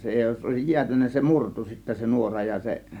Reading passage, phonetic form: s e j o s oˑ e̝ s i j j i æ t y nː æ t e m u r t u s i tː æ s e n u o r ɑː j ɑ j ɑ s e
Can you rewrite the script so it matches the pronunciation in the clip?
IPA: s e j o s oˑ e̝ s i j j i æ t y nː æ s e m u r t u s i tː æ s e n u o r ɑ j ɑ j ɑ s e